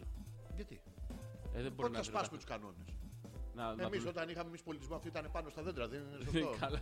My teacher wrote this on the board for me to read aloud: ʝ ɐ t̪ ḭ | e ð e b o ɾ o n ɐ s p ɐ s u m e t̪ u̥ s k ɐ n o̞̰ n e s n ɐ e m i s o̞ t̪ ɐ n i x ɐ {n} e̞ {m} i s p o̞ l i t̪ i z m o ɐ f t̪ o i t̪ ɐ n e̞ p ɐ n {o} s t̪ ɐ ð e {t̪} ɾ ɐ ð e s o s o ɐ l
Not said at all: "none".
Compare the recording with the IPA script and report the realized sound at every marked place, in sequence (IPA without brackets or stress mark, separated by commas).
m, m, o, d̪